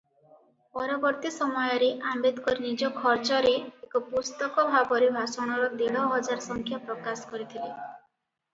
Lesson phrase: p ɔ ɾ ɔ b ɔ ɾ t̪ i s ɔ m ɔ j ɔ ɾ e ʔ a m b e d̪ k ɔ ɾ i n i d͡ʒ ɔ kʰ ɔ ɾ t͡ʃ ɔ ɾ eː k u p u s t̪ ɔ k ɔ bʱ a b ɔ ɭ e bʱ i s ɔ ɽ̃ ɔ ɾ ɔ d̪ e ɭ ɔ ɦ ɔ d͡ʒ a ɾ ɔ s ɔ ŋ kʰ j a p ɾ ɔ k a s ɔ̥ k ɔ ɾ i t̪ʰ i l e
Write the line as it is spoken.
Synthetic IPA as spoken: p ɔ ɾ ɔ b ɔ ɾ t̪ i s ɔ m ɔ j ɔ ɾ e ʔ a m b e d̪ k ɔ ɾ i n i d͡ʒ ɔ kʰ ɔ ɾ t͡ʃ ɔ ɾ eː k ɔ p u s t̪ ɔ k ɔ bʱ a b ɔ ɾ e bʱ a s ɔ ɽ̃ ɔ ɾ ɔ d̪ e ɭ ɔ ɦ ɔ d͡ʒ a ɾ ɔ s ɔ ŋ kʰ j a p ɾ ɔ k a s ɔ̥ k ɔ ɾ i t̪ʰ i l e